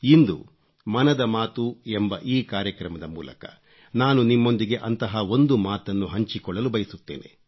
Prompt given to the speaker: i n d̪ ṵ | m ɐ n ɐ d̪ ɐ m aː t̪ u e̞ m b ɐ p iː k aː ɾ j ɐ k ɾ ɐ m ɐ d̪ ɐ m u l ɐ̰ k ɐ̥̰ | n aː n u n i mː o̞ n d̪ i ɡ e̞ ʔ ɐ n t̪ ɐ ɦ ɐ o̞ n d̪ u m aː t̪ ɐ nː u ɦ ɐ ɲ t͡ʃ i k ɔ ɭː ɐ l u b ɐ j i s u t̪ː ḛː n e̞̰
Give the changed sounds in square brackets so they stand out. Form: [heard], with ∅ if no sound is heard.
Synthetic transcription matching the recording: i n d̪ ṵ | m ɐ n ɐ d̪ ɐ m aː t̪ u e̞ m b ɐ [ʔ] iː k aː ɾ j ɐ k ɾ ɐ m ɐ d̪ ɐ m [uː] l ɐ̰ k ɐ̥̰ | n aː n u n i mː o̞ n d̪ i ɡ e̞ ʔ ɐ n t̪ ɐ ɦ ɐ o̞ n d̪ u m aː t̪ ɐ nː u ɦ ɐ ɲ t͡ʃ i k ɔ ɭː ɐ l u b ɐ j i s u t̪ː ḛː n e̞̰